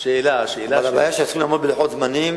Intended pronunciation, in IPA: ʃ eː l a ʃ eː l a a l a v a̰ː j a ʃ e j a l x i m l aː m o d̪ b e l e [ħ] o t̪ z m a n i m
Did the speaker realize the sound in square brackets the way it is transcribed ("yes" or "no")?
yes